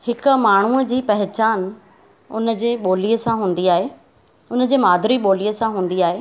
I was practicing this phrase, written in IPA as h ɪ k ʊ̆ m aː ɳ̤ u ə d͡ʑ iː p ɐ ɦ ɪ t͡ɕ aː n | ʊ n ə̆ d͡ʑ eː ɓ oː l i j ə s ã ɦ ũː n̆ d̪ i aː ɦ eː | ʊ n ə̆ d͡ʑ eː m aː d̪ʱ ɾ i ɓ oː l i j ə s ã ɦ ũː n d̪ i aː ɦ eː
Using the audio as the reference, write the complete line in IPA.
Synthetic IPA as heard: h ɪ k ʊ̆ m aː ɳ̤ u ə d͡ʑ iː p ɐ ɦ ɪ t͡ɕ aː n | ʊ n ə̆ d͡ʑ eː ɓ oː l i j ə s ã ɦ ũː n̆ d̪ i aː ɦ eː | ʊ n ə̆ d͡ʑ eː m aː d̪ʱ ɾ i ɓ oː l i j ə s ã ɦ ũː n d̪ i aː ɦ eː